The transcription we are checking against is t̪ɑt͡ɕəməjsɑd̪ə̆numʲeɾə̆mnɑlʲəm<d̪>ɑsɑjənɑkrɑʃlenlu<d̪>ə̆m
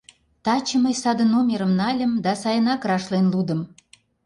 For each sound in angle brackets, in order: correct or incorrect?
correct, correct

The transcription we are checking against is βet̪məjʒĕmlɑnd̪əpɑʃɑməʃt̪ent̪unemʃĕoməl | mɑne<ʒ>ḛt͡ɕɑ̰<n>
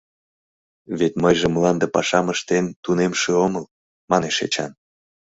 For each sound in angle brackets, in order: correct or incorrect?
incorrect: ʃ, correct

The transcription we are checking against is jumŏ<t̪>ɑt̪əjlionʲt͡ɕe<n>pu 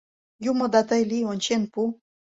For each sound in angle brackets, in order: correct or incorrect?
incorrect: d̪, correct

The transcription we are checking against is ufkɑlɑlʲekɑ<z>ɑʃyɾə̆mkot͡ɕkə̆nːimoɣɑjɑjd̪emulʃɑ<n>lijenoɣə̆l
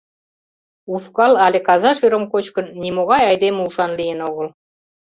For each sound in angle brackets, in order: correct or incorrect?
correct, correct

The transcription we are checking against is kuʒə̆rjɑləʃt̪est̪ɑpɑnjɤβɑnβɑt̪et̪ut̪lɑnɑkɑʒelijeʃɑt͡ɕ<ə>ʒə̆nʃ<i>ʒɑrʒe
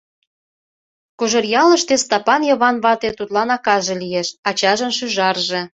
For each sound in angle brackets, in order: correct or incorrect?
incorrect: ɑ, incorrect: y

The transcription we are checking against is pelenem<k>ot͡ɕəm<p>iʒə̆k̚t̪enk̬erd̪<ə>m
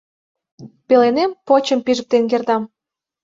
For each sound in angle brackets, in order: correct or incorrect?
incorrect: p, correct, incorrect: ɑ

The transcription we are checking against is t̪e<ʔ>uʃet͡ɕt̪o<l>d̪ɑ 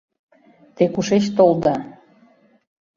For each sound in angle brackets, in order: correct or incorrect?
incorrect: k, correct

